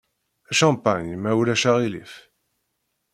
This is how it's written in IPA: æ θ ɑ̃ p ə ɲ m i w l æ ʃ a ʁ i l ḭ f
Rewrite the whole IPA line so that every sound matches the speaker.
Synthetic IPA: æ ʃ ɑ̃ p a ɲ m æ w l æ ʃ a ʁ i l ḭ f